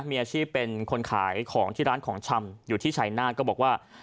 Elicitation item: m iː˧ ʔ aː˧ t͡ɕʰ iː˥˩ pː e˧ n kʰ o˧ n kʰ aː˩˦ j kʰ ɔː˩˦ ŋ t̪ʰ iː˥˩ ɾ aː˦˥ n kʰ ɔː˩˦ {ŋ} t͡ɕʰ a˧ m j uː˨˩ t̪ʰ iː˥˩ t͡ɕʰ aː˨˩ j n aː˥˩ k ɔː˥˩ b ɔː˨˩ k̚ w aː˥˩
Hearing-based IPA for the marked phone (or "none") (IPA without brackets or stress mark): ŋ